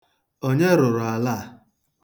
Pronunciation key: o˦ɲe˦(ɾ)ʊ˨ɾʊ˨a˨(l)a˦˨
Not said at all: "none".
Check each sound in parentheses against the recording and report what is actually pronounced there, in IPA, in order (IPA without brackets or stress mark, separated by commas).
ɾ, l